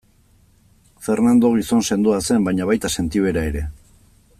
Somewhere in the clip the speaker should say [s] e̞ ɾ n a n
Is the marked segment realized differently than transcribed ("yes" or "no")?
yes